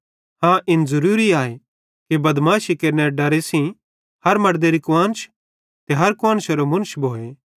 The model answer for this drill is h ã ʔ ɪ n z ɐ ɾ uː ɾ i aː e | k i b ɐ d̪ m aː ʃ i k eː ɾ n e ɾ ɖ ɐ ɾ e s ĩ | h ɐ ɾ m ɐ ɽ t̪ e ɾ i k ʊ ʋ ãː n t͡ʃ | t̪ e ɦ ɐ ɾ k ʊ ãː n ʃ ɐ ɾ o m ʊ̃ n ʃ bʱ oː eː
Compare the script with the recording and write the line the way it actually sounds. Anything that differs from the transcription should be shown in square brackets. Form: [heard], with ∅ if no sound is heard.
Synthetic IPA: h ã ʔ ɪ n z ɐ ɾ uː ɾ i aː e | k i b ɐ d̪ m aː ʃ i k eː ɾ n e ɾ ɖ ɐ ɾ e s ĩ | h ɐ ɾ m ɐ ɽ [d̪] e ɾ i k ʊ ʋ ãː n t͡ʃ | t̪ e ɦ ɐ ɾ k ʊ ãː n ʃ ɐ ɾ o m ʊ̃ n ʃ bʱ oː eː

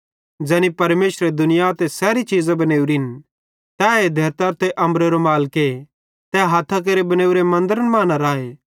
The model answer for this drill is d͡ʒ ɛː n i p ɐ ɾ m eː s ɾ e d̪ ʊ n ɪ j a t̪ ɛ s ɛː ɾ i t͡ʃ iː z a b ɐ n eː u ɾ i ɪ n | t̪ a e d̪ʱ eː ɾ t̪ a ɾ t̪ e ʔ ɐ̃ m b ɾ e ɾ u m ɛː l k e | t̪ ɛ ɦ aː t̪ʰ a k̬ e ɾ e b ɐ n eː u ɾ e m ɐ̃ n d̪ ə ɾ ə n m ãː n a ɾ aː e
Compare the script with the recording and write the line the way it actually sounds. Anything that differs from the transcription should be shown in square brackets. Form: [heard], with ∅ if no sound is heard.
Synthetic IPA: d͡ʒ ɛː n i p ɐ ɾ m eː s ɾ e d̪ ʊ n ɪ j a t̪ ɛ s ɛː ɾ i t͡ʃ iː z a b ɐ n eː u ɾ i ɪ n | t̪ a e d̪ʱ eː ɾ t̪ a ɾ t̪ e ʔ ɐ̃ m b ɾ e ɾ [o] m [aː] l k e | t̪ ɛ ɦ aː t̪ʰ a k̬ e ɾ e b ɐ n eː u ɾ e m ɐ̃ n d̪ ə ɾ ə n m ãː n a ɾ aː e

